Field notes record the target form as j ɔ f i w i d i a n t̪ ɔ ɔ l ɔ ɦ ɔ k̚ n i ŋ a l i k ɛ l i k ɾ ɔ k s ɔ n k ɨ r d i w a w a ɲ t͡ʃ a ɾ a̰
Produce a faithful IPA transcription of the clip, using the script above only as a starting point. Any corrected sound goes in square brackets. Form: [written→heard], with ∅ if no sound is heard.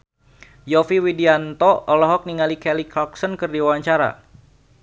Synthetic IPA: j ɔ f i w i d i a n t̪ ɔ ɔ l ɔ ɦ ɔ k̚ n i ŋ a l i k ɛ l i k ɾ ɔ k s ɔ n k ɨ r d i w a w a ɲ t͡ʃ a ɾ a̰